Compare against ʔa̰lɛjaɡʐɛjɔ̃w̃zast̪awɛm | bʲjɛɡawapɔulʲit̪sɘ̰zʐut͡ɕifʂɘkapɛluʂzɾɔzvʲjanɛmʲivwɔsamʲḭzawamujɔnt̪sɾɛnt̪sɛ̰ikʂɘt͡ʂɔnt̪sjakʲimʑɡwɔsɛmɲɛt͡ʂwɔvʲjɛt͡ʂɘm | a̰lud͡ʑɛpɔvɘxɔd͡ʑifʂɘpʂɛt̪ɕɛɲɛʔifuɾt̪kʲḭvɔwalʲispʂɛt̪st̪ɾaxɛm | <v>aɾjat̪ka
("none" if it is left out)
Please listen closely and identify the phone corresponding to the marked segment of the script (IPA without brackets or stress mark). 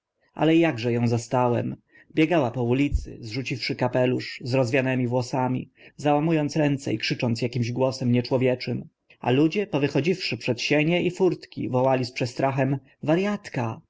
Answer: v